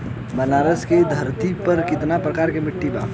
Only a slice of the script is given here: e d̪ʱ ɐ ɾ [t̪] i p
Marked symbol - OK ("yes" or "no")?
yes